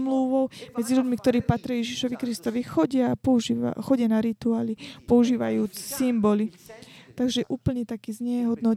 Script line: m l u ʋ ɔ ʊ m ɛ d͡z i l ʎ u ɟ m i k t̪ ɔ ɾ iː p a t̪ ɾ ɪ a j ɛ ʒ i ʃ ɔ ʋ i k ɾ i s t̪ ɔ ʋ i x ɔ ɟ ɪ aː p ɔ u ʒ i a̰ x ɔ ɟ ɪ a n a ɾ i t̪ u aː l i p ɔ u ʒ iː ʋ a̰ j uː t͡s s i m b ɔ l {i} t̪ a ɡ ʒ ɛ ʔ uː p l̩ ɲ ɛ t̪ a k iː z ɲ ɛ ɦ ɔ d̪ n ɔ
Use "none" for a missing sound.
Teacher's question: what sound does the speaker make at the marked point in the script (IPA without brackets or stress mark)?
i